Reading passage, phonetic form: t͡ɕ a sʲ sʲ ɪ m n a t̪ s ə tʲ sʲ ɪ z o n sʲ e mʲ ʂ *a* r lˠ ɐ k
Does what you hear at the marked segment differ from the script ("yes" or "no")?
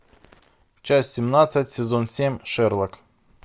yes